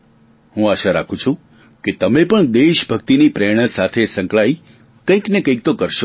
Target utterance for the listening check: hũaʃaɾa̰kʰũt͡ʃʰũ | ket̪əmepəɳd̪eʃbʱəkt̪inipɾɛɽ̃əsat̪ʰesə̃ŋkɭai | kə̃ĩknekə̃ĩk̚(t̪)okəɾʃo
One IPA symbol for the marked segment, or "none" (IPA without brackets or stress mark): t̪